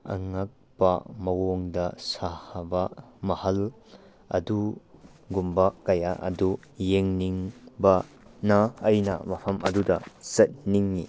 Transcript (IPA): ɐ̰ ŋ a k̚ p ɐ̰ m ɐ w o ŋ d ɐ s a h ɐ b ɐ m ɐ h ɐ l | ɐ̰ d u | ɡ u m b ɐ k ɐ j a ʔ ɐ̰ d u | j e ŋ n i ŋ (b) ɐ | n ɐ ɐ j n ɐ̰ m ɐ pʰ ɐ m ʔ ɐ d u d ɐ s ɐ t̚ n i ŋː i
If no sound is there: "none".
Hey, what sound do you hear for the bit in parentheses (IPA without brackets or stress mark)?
b